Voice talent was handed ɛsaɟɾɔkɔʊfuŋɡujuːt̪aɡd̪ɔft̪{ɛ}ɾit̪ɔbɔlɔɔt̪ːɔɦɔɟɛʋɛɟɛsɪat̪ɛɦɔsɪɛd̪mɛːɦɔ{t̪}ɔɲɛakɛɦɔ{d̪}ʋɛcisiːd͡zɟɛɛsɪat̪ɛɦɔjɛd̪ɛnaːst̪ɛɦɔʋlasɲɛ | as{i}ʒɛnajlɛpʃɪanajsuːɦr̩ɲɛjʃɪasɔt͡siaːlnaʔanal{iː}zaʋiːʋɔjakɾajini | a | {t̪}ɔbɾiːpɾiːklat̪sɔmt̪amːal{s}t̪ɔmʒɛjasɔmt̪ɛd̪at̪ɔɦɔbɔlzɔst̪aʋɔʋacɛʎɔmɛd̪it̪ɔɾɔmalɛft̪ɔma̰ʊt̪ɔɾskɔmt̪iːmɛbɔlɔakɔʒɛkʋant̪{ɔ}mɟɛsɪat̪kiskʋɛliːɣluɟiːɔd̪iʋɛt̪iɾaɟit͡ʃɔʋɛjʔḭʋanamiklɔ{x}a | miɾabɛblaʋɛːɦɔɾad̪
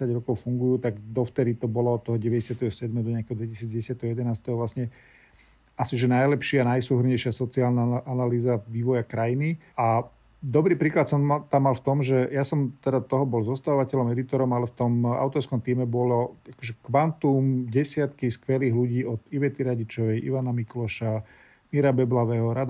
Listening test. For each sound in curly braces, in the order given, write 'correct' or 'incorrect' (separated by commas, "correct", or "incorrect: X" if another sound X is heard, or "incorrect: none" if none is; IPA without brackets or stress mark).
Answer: correct, incorrect: d̪, correct, correct, correct, incorrect: d̪, incorrect: f, incorrect: u, incorrect: ʃ